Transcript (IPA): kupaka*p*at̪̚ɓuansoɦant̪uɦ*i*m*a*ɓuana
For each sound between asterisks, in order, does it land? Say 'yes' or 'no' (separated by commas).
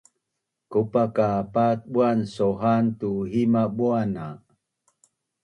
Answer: yes, yes, yes